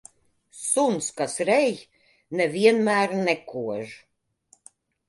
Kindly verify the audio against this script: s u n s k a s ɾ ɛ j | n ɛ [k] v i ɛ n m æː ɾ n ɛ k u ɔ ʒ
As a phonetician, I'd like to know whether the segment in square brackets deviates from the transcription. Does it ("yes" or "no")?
yes